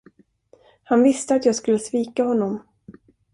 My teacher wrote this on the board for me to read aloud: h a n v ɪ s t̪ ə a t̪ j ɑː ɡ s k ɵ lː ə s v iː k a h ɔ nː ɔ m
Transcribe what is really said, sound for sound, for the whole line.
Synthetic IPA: h a n v ɪ s t̪ ə a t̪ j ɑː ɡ s k ɵ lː ə s v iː k a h ɔ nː ɔ m